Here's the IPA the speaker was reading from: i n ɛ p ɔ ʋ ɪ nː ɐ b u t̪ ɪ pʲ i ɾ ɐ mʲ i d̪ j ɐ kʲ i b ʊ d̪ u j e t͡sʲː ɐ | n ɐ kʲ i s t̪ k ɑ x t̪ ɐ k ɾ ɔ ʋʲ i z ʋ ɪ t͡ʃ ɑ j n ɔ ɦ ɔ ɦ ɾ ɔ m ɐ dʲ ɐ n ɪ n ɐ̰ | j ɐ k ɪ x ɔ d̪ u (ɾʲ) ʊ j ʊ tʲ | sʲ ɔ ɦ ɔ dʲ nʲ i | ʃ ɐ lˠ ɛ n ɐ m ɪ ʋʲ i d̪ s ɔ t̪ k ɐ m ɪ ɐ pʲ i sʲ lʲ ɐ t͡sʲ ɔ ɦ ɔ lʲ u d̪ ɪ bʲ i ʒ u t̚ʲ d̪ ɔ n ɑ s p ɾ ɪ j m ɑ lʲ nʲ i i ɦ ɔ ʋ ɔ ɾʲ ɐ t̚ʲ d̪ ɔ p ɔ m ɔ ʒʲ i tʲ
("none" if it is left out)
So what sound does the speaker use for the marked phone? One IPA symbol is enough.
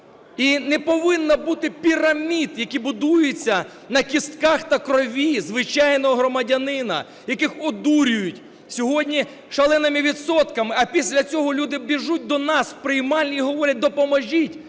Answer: ɾʲ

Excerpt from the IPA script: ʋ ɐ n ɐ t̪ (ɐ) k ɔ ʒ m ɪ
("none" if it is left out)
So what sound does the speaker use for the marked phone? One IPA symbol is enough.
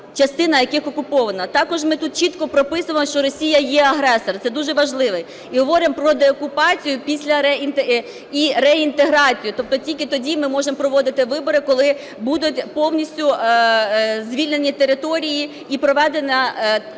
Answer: ɑ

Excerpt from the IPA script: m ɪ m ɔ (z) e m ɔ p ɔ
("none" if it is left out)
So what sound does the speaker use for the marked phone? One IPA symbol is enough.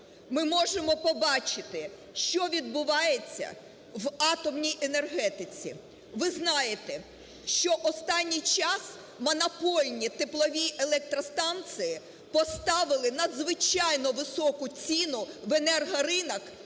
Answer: ʒ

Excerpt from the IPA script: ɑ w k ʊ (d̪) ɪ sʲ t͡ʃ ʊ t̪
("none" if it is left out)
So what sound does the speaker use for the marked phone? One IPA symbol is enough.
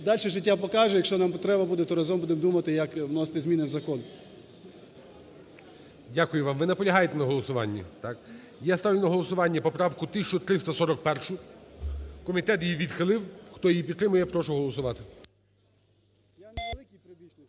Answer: t̪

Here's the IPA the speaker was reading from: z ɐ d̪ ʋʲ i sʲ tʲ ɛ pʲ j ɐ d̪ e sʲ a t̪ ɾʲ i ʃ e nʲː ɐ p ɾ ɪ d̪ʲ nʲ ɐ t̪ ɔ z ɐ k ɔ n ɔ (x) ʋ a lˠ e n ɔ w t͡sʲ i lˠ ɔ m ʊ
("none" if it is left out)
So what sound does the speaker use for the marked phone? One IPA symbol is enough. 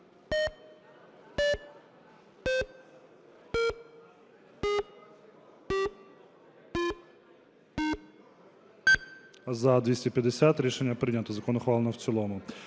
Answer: x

